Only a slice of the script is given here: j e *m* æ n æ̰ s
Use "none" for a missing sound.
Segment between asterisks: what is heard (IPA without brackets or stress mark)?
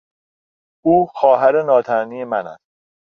m